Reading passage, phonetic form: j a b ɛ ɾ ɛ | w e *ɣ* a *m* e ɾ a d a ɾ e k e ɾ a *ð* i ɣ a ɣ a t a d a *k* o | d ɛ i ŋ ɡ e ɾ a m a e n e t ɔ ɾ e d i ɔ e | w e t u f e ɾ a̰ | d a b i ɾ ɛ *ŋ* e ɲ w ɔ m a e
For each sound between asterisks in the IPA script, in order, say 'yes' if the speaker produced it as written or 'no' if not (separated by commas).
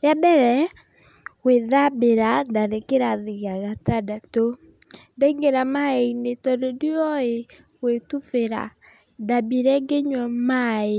no, no, yes, no, no